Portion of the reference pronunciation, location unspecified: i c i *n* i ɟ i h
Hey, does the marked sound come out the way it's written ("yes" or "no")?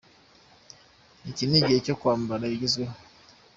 yes